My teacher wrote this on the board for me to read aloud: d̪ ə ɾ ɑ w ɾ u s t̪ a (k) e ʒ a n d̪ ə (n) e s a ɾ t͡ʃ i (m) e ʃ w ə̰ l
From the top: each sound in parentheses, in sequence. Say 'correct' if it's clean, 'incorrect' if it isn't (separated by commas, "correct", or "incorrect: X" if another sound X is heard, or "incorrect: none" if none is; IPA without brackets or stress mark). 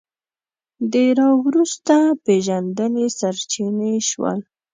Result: incorrect: p, correct, incorrect: n